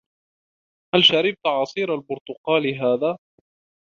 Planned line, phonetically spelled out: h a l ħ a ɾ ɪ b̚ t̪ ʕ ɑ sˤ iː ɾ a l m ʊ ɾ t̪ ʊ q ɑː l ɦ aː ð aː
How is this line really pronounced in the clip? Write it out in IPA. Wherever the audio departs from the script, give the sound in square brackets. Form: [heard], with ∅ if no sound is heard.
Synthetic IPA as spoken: h a l [ʃ] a ɾ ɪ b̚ t̪ ʕ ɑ sˤ iː ɾ a l [b] ʊ ɾ t̪ ʊ q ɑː l ɦ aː ð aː

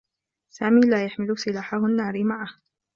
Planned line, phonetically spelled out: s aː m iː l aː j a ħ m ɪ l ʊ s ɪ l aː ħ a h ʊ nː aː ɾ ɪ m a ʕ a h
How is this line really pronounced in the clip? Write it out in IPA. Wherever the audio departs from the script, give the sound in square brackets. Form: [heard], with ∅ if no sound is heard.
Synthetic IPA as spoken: s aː m iː l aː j a ħ m ɪ l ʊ s ɪ l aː ħ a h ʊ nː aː ɾ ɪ m a ʕ a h

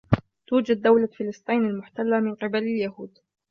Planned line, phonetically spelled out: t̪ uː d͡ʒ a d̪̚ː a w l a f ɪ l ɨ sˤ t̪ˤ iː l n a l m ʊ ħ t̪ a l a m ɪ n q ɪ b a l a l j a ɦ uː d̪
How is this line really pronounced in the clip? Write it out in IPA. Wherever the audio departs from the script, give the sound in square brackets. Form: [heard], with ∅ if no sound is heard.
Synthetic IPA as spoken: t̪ uː d͡ʒ a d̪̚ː a w l a f ɪ l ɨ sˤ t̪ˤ iː [∅] n a l m ʊ ħ t̪ a [lː] a m ɪ n q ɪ b a l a l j a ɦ uː d̪

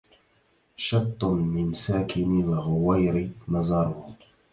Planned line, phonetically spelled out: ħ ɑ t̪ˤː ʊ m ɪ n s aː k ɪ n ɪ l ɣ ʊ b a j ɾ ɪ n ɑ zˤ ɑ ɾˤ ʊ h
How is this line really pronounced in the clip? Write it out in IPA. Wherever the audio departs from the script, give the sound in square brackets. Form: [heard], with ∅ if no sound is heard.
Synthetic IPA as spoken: [ʃ] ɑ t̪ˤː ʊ m ɪ n s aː k ɪ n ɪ l ɣ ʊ [w] a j ɾ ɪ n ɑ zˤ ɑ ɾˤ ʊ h

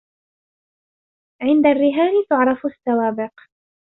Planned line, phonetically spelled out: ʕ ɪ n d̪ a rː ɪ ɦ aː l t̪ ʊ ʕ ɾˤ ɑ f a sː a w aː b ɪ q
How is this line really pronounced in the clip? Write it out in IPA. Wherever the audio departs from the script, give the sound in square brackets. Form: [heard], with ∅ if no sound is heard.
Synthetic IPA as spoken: ʕ ɪ n d̪ a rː ɪ ɦ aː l t̪ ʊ ʕ ɾˤ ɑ f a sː a w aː b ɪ q

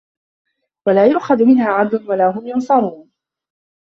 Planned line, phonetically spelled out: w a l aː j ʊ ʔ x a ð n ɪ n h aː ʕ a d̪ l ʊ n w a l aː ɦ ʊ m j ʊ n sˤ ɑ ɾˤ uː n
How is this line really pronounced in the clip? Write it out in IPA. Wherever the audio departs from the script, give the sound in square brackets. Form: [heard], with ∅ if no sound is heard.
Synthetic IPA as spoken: w a l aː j ʊ ʔ x a ð [m] ɪ n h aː ʕ a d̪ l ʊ n w a l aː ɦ ʊ m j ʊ n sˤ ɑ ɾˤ uː n

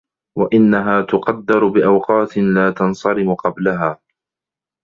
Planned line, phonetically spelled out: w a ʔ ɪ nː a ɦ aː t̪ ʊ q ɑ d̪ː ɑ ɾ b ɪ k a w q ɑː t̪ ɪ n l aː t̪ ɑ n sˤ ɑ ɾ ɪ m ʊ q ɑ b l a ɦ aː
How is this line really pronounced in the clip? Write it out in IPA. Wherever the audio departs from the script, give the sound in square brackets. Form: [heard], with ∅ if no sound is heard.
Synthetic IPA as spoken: w a ʔ ɪ nː a ɦ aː t̪ ʊ q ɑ d̪ː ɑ ɾ b ɪ [ʔ] a w q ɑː t̪ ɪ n l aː t̪ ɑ n sˤ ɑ ɾ ɪ m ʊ q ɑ b l a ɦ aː

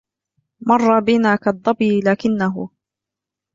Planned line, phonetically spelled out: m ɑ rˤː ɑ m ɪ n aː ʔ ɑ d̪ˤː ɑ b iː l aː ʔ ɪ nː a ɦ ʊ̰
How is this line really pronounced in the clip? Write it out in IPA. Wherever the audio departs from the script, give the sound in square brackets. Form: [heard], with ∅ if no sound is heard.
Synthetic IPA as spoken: m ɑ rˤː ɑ [b] ɪ n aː [k] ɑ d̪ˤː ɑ b iː l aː [k] ɪ nː a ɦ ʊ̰

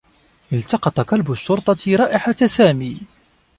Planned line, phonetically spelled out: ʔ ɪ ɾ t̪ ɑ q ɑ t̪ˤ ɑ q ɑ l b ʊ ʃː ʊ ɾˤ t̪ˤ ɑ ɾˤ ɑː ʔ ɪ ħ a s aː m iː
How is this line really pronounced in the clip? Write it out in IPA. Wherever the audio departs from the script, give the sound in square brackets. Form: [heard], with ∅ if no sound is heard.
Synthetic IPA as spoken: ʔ ɪ [l] t̪ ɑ q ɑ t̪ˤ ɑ q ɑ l b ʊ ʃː ʊ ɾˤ t̪ˤ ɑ ɾˤ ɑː ʔ ɪ ħ a s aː m iː

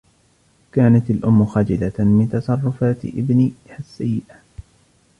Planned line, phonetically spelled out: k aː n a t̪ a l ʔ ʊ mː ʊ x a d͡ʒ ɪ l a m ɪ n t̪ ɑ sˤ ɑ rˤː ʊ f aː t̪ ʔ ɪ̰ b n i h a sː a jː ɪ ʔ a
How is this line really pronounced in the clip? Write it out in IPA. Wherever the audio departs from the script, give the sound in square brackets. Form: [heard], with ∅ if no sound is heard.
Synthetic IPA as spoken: k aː n a t̪ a l ʔ ʊ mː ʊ x a d͡ʒ ɪ l a m ɪ n t̪ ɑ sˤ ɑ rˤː ʊ f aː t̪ ʔ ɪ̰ b n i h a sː a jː ɪ ʔ a

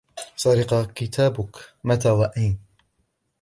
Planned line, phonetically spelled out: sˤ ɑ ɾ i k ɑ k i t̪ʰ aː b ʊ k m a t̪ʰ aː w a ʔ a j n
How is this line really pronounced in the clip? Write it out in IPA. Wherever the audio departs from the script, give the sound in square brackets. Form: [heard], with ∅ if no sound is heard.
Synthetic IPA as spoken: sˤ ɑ ɾ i [q] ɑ k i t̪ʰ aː b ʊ k m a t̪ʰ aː w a ʔ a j n

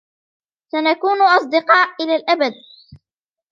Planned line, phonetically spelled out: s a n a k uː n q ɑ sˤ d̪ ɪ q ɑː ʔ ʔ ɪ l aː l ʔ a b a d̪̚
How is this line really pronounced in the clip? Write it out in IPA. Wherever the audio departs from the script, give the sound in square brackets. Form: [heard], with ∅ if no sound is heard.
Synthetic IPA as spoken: s a n a k uː n [ʔ] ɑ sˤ d̪ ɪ q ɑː ʔ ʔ ɪ l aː l ʔ a b a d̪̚

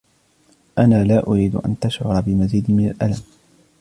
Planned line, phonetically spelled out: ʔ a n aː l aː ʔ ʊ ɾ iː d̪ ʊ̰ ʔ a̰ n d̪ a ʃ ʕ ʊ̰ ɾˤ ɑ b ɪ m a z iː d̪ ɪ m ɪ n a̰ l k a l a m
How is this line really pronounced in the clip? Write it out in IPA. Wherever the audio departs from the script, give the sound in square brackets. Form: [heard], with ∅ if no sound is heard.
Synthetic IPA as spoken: ʔ a n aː l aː ʔ ʊ ɾ iː d̪ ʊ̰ ʔ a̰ n [t̪] a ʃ ʕ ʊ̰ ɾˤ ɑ b ɪ m a z iː d̪ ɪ m ɪ n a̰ l [ʔ] a l a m

